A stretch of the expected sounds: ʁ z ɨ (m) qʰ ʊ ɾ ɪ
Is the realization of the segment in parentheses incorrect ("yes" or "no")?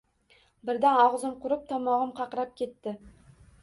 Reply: no